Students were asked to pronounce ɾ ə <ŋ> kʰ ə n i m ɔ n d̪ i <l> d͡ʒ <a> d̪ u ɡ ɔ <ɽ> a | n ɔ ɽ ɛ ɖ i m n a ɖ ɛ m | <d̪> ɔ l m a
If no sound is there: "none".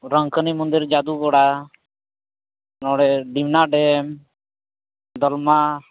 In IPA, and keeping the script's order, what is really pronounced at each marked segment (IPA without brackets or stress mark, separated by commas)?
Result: ŋ, ɾ, a, ɽ, d̪